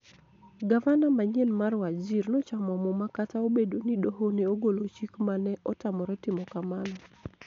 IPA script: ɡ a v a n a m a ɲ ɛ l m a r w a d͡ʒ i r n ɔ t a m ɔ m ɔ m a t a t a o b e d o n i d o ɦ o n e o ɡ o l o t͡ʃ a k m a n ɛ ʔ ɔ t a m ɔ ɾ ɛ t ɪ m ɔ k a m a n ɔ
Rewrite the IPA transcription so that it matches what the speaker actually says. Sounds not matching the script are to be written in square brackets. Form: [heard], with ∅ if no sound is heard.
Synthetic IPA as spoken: ɡ a v a n a m a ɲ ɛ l m a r w a d͡ʒ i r n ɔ [t͡ʃ] a m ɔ m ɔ m a [k] a t a o b e d o n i d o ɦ o n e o ɡ o l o t͡ʃ [i] k m a n ɛ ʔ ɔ t a m ɔ ɾ ɛ t ɪ m ɔ k a m a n ɔ

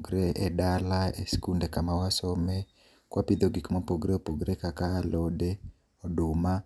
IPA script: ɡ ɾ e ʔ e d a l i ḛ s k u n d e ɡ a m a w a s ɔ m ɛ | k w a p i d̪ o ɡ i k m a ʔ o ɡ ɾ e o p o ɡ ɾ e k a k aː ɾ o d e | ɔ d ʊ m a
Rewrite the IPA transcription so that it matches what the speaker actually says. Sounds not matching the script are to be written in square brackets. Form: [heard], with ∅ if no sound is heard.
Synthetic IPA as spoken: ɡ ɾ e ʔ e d a l [a] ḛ s k u n d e [k] a m a w a s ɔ m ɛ | k w a p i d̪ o ɡ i k m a [p] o ɡ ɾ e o p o ɡ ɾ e k a k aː [l] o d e | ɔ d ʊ m a

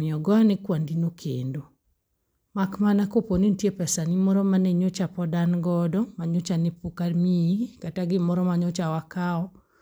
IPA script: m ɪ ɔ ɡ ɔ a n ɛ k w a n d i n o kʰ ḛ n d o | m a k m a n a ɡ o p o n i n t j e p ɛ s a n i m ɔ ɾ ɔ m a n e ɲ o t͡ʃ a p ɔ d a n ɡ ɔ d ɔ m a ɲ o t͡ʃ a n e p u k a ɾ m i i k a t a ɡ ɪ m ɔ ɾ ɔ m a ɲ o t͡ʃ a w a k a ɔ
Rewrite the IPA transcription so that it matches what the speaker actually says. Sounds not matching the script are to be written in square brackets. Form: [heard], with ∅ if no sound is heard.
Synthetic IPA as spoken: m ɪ ɔ ɡ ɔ a n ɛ k w a n d i n o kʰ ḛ n d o | m a k m a n a [k] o p o n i n t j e p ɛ s a n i m ɔ ɾ ɔ m a n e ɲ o t͡ʃ a p ɔ d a n ɡ ɔ d ɔ m a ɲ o t͡ʃ a n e p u k a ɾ m i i k a t a ɡ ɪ m ɔ ɾ ɔ m a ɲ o t͡ʃ a w a k a ɔ

